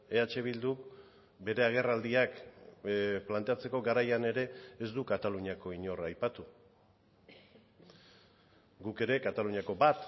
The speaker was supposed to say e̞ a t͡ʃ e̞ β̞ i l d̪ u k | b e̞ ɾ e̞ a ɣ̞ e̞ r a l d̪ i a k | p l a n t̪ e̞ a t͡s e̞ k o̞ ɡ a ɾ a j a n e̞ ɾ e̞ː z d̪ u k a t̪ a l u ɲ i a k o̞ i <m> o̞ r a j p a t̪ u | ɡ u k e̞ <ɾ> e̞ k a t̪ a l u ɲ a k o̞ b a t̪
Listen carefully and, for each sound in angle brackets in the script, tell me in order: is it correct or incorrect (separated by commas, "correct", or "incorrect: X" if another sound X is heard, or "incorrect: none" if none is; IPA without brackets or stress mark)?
incorrect: ɲ, correct